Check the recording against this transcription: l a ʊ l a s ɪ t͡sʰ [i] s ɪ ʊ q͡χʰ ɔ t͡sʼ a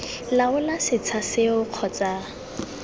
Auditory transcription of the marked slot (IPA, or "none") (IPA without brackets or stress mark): a